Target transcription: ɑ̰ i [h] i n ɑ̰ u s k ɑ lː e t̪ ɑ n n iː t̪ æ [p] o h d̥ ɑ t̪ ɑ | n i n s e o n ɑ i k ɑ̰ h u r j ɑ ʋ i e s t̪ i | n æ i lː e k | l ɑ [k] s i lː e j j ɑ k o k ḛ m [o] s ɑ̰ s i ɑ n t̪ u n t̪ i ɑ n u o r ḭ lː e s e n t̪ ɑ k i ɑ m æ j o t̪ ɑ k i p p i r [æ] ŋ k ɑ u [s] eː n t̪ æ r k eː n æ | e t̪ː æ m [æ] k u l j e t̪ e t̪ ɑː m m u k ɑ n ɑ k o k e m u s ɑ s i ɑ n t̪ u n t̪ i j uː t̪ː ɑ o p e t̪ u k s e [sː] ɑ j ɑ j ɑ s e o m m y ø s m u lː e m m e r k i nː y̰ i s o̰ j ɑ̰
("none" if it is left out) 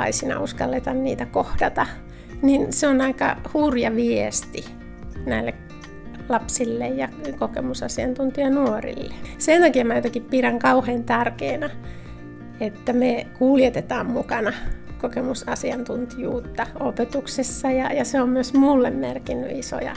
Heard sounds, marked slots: s, k, p, u, æ, h, e, sː

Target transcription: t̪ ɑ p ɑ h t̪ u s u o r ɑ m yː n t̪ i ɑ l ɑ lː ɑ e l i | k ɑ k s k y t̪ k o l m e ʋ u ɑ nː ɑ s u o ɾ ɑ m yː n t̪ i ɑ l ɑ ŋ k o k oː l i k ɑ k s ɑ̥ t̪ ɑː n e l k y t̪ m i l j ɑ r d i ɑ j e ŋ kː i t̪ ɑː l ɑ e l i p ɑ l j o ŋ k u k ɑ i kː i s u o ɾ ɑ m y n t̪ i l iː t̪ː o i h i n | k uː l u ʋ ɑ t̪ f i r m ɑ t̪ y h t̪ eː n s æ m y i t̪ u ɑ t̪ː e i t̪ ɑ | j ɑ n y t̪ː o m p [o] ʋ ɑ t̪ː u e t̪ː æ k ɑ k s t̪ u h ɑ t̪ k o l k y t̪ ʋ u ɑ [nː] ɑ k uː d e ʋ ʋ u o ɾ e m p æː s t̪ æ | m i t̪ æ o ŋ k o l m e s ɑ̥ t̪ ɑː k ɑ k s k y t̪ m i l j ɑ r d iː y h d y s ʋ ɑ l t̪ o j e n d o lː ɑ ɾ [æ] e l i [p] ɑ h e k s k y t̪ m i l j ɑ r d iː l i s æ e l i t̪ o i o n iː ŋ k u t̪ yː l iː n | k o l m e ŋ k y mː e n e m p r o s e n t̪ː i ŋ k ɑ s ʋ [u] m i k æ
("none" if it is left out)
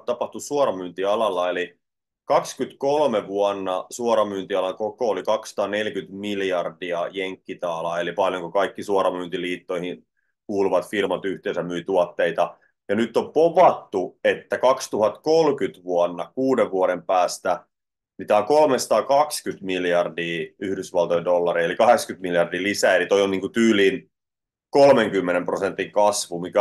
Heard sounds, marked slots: o, nː, i, k, u

